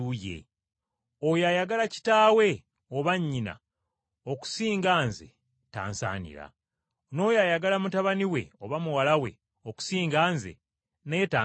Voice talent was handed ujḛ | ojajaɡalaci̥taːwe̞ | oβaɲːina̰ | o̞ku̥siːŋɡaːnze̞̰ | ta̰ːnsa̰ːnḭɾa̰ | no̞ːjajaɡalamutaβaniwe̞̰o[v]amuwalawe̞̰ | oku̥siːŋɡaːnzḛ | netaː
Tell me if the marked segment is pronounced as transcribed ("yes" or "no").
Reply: no